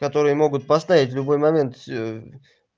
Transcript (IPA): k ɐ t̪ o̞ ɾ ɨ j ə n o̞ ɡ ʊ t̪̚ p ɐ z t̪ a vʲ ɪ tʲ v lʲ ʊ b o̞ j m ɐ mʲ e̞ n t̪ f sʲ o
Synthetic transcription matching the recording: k ɐ t̪ o̞ ɾ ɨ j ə m o̞ ɡ ʊ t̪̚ p ɐ s t̪ a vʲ ɪ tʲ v lʲ ʊ b o̞ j m ɐ mʲ e̞ n t̪ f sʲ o

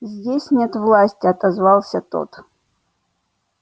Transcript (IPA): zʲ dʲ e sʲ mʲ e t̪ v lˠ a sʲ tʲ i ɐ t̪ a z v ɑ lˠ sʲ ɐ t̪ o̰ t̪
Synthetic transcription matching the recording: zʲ dʲ e sʲ nʲ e t̪ v lˠ a sʲ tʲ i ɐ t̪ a z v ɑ lˠ sʲ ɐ t̪ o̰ t̪

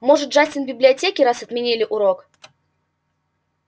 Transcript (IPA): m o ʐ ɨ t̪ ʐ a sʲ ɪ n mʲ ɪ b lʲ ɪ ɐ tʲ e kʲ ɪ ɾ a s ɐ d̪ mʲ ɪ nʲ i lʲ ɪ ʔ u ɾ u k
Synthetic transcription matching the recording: m o ʐ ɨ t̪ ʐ a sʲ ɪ n bʲ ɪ b lʲ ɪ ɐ tʲ e kʲ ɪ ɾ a s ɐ t̪ mʲ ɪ nʲ i lʲ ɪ ʔ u ɾ o k

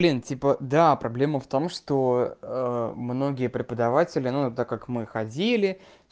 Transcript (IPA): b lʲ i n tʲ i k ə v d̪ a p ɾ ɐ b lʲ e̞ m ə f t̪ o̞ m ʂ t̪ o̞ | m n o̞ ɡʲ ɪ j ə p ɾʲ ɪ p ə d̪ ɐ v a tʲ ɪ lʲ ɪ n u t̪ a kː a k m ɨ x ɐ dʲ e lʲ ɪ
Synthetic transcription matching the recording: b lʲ i n tʲ i p ə d̪ a p ɾ ɐ b lʲ e̞ m ə f t̪ o̞ m ʂ t̪ o̞ | m n o̞ ɡʲ ɪ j ə p ɾʲ ɪ p ə d̪ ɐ v a tʲ ɪ lʲ ɪ n u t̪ a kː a k m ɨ x ɐ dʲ i lʲ ɪ

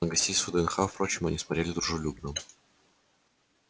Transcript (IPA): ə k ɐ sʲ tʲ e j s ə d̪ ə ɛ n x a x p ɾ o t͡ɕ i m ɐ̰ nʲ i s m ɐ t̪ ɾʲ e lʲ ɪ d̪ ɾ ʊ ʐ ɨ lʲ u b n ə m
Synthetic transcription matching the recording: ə ɡ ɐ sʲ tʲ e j s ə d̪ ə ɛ n x a f p ɾ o t͡ɕ ɪ m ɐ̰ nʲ i s m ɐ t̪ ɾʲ e lʲ ɪ d̪ ɾ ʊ ʐ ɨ lʲ u b n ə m

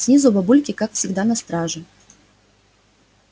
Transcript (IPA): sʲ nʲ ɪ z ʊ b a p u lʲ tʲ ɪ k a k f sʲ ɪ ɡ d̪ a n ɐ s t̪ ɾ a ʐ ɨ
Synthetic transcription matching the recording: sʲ nʲ i z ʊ b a b u lʲ kʲ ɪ k a k f sʲ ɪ ɡ d̪ a n ɐ s t̪ ɾ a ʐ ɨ

